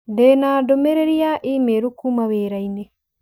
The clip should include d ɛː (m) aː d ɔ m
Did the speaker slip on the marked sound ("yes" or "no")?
yes